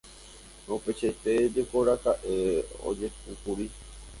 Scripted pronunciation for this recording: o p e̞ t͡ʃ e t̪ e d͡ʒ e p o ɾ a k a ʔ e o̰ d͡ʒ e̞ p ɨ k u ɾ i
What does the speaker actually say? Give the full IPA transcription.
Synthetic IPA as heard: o p e̞ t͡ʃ e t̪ e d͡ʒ e k o ɾ a k a ʔ e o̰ d͡ʒ e̞ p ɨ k u ɾ i